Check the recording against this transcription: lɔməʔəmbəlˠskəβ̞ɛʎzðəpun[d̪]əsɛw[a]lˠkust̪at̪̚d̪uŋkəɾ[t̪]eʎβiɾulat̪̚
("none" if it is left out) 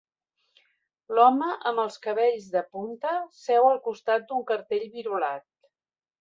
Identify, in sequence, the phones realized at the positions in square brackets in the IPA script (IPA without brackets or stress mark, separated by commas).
t̪, ə, t̪